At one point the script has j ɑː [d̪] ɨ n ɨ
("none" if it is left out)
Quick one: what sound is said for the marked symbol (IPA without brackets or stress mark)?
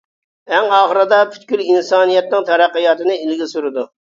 t̪